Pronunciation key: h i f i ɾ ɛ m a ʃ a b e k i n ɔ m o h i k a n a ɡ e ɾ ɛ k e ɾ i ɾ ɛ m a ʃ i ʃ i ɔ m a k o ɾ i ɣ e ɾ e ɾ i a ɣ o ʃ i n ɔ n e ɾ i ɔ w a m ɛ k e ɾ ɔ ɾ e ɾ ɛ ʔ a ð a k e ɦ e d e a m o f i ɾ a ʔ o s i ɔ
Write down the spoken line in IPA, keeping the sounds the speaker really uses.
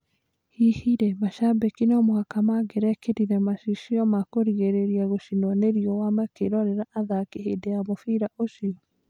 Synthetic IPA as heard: h i h i ɾ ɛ m a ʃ a b e k i n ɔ m o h a k a m a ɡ e ɾ ɛ k e ɾ i ɾ ɛ m a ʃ i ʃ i ɔ m a k o ɾ i ɣ e ɾ e ɾ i a ɣ o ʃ i n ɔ n e ɾ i ɔ w a m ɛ k e ɾ ɔ ɾ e ɾ a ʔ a ð a k e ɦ e d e a m o f i ɾ a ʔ o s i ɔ